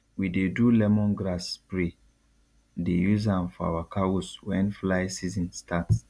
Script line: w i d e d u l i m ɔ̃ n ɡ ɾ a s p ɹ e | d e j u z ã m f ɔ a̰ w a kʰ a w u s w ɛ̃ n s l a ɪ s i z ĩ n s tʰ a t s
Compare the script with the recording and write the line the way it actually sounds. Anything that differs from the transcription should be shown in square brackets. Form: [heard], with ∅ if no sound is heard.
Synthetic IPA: w i d e d u l [ɛ] m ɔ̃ n ɡ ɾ a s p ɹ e | d e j u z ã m f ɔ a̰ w a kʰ a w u s w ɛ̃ n [f] l a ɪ s i z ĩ n s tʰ a t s